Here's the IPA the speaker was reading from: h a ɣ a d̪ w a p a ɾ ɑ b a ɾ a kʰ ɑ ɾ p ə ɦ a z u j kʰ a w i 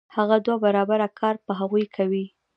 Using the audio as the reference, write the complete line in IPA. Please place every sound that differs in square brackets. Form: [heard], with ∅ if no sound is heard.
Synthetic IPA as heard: h a ɣ a d̪ w a [b] a ɾ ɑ b a ɾ a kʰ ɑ ɾ p ə ɦ a [ɣ] u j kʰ a w i